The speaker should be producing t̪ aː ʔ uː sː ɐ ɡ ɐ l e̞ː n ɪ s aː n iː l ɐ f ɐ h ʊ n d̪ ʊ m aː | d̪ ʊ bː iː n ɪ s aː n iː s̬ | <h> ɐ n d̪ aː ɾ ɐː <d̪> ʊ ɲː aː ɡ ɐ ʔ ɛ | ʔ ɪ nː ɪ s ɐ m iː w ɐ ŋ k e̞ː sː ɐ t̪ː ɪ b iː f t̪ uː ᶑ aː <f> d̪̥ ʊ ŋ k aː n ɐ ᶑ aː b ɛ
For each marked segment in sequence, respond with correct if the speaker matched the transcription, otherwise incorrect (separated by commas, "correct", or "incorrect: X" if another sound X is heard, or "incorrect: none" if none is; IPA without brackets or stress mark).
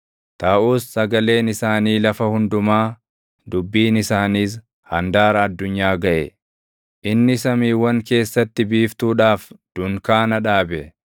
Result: correct, incorrect: d̪ː, correct